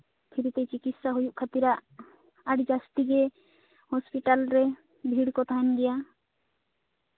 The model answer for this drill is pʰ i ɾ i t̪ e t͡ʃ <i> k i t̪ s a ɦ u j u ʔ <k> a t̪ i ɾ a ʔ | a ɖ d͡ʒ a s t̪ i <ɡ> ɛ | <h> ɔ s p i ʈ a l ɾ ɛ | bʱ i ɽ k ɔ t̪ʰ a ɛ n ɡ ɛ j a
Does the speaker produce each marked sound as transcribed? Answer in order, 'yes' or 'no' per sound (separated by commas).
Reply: yes, no, yes, yes